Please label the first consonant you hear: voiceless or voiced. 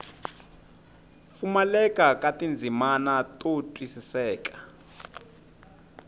voiceless